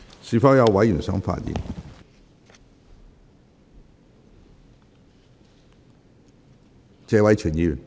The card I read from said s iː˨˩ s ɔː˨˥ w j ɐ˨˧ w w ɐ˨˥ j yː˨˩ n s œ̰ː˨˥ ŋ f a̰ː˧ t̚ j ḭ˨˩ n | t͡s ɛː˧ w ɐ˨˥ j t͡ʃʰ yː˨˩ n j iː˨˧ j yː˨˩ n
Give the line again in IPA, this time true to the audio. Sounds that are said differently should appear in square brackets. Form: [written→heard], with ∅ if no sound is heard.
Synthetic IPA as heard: s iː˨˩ [s→f] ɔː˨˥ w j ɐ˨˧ w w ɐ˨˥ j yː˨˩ n s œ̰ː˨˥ ŋ f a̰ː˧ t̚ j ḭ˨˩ n | t͡s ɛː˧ w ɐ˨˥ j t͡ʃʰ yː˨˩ n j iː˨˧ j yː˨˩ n